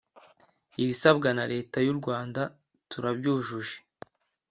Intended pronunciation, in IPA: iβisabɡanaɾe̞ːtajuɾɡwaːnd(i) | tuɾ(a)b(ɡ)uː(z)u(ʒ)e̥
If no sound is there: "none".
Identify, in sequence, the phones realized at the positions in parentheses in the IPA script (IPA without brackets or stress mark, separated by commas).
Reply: a, a, ɟ, ʒ, ʒ